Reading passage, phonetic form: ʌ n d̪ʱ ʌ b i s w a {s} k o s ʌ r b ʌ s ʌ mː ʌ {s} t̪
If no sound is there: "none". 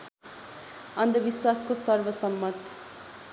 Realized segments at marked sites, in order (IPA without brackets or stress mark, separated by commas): s, none